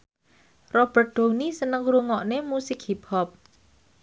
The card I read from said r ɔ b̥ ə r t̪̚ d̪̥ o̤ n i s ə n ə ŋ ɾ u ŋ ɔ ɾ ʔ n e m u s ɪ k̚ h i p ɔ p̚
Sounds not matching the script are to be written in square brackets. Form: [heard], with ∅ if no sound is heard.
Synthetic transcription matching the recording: r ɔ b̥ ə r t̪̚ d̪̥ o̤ n i s ə n ə ŋ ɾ u ŋ ɔ [∅] ʔ n e m u s ɪ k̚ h i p ɔ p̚